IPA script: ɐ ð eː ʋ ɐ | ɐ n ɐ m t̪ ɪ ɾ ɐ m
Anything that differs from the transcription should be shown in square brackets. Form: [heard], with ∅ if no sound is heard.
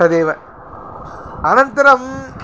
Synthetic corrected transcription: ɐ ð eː ʋ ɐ | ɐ n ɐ [n] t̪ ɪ ɾ ɐ m